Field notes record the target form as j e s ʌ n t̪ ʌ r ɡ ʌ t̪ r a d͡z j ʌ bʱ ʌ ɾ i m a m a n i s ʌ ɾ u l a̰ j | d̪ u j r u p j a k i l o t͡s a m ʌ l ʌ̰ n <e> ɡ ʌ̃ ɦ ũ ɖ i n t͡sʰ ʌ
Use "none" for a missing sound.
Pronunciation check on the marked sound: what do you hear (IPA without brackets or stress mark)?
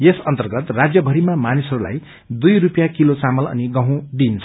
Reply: i